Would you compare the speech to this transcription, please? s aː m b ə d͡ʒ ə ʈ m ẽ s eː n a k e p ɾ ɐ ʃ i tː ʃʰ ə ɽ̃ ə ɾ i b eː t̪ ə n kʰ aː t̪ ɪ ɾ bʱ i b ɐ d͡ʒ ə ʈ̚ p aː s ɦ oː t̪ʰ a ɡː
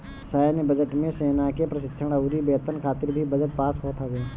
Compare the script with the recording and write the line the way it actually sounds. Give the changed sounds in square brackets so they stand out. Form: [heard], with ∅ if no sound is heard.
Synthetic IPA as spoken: s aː [n] b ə d͡ʒ ə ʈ m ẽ s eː n a k e p ɾ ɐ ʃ [ɪ] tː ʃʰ ə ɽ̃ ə ɾ i b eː t̪ ə n kʰ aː t̪ ɪ ɾ bʱ i b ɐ d͡ʒ ə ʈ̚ p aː s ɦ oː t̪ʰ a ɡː